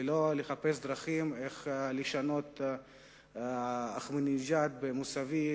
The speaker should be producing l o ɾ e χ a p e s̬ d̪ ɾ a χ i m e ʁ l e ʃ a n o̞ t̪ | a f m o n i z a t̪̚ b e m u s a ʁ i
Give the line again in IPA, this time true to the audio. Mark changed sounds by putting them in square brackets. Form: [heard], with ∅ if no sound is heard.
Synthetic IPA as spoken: l o [l] e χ a p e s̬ d̪ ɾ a χ i m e [χ] l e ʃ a n o̞ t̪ | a [χ] m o n i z a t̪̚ b e m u s a [v] i